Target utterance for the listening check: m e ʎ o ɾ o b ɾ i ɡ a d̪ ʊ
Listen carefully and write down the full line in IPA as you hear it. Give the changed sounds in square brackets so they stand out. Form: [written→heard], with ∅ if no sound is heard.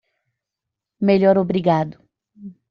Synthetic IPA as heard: m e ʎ [o→ɔ] ɾ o b ɾ i ɡ a d̪ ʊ